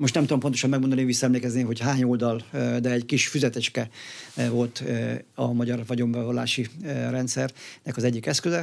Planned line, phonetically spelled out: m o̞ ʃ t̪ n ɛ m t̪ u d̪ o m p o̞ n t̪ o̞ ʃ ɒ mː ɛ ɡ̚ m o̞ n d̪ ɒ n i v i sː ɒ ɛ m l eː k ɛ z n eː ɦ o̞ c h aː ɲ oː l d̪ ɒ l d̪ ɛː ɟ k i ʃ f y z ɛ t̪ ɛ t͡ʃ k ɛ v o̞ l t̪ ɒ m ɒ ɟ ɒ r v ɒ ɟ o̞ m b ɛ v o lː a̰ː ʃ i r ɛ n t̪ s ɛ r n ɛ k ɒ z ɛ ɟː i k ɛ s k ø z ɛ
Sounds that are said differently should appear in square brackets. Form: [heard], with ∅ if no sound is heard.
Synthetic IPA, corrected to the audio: m o̞ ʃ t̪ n ɛ m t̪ u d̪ o m p o̞ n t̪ o̞ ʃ ɒ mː ɛ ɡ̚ m o̞ n d̪ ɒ n i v i sː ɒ ɛ m l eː k ɛ z n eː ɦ o̞ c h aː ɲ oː l d̪ ɒ l d̪ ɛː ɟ k i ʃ f y z ɛ t̪ ɛ t͡ʃ k ɛ v o̞ l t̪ ɒ m ɒ ɟ ɒ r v ɒ ɟ o̞ m b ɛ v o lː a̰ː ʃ i r ɛ n t̪ s ɛ r n ɛ k ɒ z ɛ ɟː i k ɛ s k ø z ɛ